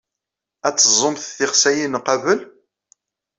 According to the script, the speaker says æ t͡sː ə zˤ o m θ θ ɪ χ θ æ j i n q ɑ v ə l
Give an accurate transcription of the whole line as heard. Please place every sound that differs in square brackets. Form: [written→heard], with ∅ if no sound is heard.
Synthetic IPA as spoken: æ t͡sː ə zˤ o m θ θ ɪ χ [θ→s] æ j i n q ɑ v ə l